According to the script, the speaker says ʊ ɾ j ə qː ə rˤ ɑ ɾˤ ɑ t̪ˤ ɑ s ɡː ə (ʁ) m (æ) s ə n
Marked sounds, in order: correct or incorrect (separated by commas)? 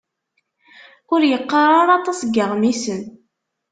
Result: correct, incorrect